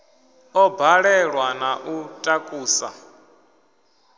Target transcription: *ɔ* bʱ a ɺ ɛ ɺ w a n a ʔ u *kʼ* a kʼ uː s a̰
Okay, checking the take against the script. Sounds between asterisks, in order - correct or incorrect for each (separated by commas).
correct, incorrect